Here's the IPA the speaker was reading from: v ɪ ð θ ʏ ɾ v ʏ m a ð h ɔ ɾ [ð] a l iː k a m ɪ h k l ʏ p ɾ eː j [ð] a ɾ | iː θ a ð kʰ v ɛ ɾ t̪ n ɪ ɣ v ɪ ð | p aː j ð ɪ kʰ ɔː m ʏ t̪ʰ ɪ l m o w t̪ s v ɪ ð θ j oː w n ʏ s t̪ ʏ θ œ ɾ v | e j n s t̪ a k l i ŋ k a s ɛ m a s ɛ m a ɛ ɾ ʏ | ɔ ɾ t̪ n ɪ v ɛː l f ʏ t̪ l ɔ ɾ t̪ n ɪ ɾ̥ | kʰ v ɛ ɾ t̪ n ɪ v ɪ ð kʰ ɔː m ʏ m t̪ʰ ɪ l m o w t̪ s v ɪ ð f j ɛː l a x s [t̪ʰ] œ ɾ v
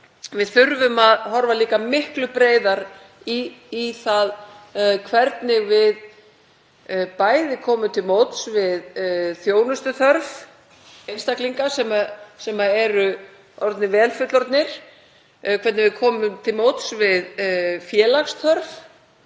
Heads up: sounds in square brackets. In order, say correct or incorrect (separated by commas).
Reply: incorrect, correct, correct